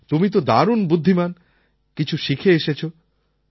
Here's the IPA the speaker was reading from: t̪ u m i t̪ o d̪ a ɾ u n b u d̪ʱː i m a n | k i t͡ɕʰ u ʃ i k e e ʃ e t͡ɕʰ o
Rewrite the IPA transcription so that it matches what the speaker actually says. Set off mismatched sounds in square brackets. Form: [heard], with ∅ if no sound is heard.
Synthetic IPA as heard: t̪ u m i t̪ o d̪ a ɾ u n b u d̪ʱː i m a n | k i t͡ɕʰ u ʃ i [kʰ] e e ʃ e t͡ɕʰ o